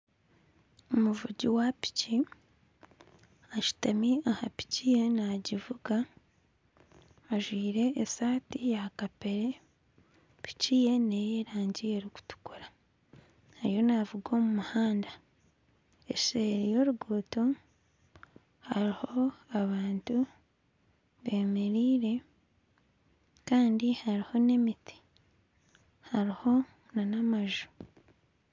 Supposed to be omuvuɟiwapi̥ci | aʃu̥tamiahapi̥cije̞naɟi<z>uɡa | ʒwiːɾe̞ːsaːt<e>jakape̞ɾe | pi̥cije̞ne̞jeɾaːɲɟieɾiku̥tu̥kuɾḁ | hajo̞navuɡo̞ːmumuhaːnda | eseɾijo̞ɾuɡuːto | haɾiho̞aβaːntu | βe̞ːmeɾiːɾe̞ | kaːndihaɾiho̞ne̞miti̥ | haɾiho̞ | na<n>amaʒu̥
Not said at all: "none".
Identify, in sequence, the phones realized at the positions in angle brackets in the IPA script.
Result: v, i, n

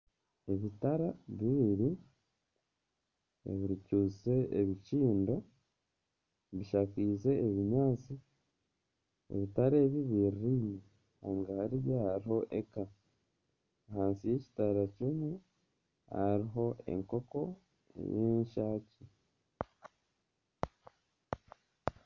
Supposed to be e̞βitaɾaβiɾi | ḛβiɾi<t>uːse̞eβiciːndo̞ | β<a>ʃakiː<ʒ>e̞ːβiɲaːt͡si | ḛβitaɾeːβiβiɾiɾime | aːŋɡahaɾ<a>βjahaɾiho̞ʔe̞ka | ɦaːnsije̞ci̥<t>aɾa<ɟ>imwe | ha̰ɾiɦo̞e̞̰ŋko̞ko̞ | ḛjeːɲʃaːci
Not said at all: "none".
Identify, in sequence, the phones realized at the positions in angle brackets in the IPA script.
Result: c, i, z, i, t, c

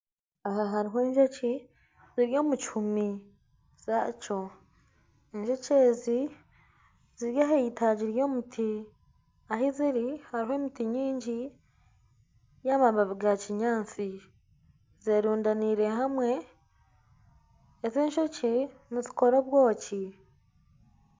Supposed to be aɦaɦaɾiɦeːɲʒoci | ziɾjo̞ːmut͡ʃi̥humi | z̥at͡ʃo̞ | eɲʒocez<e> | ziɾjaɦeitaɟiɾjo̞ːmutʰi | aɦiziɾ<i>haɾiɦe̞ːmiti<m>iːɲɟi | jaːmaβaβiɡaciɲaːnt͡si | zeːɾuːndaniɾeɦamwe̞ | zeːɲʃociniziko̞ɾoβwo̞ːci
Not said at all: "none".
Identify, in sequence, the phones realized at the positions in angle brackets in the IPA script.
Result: i, i, ɲ

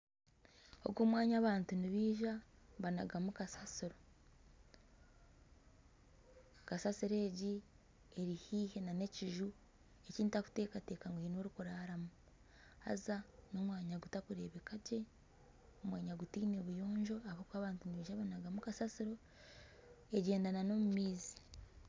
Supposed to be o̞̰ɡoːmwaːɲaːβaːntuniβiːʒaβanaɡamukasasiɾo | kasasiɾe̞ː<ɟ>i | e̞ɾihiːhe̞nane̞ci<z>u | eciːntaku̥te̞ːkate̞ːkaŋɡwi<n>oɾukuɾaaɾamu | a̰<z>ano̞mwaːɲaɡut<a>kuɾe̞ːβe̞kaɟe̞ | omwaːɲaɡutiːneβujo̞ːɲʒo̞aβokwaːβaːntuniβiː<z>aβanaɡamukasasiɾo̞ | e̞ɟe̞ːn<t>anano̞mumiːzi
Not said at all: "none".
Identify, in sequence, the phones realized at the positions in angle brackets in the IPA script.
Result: ɟ, ʒ, n, z, a, ʒ, d

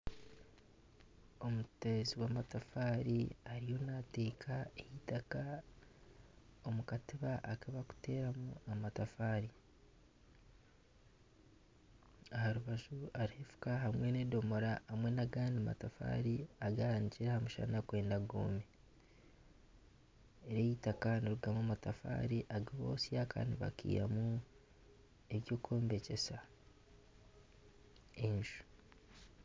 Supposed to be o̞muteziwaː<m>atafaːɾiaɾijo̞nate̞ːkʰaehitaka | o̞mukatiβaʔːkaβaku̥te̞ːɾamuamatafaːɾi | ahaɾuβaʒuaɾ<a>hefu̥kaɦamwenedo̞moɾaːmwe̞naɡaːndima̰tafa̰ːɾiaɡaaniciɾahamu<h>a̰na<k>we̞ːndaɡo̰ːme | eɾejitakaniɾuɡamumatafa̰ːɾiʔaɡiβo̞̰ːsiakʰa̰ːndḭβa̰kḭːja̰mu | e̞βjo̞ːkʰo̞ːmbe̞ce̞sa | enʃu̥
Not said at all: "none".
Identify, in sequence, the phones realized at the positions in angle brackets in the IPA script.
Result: m, i, ʃ, k

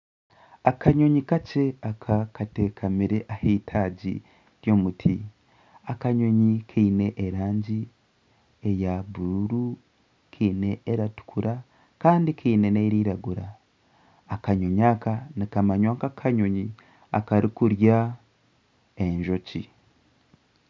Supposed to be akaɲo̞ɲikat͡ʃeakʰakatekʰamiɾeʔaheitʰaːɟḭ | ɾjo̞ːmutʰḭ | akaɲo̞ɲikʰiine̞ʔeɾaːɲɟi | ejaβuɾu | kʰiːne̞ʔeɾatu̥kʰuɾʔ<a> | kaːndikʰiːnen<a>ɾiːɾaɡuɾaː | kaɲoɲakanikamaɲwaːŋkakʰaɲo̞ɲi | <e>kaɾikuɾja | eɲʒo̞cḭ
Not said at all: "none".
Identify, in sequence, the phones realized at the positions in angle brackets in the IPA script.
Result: a, e, a

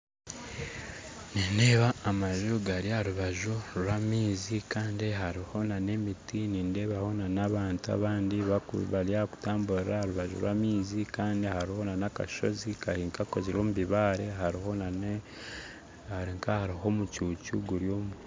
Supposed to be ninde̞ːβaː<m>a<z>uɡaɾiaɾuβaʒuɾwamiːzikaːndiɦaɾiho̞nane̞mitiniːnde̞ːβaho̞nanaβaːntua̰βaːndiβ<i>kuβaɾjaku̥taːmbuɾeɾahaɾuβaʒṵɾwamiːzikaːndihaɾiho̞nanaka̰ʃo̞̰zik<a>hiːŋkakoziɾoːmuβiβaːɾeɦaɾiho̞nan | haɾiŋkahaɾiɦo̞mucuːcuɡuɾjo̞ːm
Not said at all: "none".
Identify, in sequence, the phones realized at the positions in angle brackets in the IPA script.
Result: m, ʒ, a, a

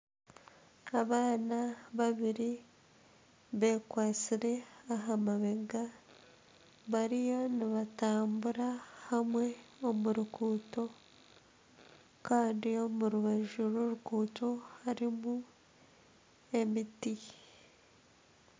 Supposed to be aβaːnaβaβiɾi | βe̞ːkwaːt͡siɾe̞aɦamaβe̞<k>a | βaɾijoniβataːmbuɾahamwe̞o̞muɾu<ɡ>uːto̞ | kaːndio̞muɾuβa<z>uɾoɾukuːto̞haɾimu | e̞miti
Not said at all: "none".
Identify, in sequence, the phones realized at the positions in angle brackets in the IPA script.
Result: ɡ, k, ʒ

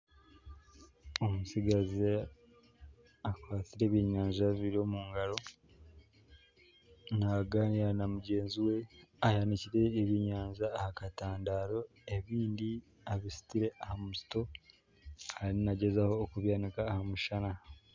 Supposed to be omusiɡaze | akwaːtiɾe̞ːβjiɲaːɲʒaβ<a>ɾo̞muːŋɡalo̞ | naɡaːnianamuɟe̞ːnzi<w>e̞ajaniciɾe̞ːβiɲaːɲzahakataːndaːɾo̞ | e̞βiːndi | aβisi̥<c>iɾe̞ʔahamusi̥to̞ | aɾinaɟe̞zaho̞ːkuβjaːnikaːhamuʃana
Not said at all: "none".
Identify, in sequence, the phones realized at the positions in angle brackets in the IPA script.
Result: i, w, t

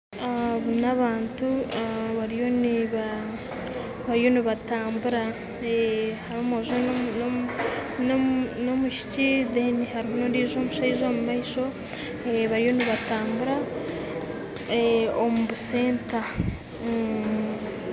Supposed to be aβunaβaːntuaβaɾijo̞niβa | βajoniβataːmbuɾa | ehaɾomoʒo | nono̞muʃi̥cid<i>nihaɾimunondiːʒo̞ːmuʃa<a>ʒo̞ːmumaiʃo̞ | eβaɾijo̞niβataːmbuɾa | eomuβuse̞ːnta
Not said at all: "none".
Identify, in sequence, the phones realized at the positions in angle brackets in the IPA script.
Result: e, i

